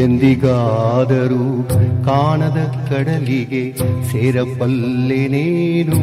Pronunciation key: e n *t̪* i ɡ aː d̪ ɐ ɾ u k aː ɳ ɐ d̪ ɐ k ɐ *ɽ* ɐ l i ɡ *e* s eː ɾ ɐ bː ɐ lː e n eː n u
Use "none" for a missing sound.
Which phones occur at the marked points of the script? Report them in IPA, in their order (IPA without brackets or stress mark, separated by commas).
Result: d̪, ɽ, e